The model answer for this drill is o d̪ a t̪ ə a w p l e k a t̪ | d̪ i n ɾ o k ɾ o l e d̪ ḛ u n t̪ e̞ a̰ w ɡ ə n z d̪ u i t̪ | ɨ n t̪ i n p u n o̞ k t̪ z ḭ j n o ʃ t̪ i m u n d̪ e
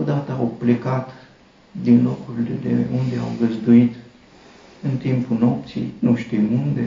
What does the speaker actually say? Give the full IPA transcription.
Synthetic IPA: o d̪ a t̪ ə a w p l e k a t̪ | d̪ i n l o k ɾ u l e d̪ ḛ u n d̪ e̞ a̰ w ɡ ə z d̪ u i t̪ | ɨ n t̪ i m p u n o̞ p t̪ s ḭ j n u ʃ t̪ i m u n d̪ e